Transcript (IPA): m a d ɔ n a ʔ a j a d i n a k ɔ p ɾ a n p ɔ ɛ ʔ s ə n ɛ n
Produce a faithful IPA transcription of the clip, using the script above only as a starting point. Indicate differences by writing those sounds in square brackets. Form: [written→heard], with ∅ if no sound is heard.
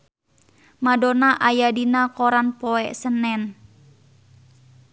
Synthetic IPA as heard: m a d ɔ n a ʔ a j a d i n a k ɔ [p→∅] ɾ a n p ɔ ɛ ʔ s ə n ɛ n